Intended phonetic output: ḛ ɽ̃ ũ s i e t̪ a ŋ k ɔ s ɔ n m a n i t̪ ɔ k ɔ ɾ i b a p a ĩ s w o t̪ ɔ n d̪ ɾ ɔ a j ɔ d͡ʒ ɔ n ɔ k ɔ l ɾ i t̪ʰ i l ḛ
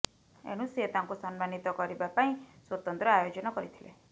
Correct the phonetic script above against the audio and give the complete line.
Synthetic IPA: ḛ ɽ̃ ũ s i e t̪ a ŋ k u s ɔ n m a n i t̪ ɔ k ɔ ɾ i b a p a ĩ s w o t̪ ɔ n t̪ ɾ ɔ a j o d͡ʒ ɔ n ɔ k ɔ ɾ i t̪ʰ i l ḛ

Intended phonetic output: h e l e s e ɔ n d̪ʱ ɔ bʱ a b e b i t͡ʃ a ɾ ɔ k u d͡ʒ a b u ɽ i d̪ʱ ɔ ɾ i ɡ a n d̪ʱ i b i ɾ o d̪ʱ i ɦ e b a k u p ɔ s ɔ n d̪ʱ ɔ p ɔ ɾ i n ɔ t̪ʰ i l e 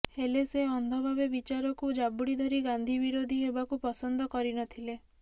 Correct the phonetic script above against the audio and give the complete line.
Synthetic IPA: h e l e s e ɔ n d̪ʱ ɔ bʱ a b e b i t͡ʃ a ɾ ɔ k u d͡ʒ a b u ɽ i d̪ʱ ɔ ɾ i ɡ a n d̪ʱ i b i ɾ o d̪ʱ i ɦ e b a k u p ɔ s ɔ n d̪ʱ ɔ k ɔ ɾ i n ɔ t̪ʰ i l e

